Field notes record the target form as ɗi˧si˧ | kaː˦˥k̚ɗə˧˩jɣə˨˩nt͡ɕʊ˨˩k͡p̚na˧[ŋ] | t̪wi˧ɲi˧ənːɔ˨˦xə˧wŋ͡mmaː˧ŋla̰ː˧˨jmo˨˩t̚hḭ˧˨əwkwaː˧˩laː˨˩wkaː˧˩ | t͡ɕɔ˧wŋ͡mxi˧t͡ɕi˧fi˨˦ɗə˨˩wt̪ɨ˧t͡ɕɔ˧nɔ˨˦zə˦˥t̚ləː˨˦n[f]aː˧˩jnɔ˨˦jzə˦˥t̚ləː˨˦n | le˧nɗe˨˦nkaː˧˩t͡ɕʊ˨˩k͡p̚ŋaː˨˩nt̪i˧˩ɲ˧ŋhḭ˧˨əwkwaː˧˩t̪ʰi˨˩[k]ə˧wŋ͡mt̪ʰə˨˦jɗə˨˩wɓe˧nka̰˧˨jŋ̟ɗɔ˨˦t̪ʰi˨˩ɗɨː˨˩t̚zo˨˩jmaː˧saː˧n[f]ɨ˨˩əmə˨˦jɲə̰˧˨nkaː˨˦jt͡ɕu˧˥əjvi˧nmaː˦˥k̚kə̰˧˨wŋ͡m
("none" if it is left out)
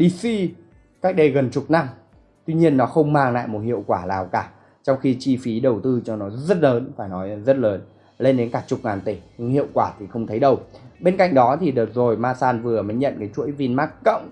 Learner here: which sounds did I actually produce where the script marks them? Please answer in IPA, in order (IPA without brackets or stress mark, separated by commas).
m, f, x, v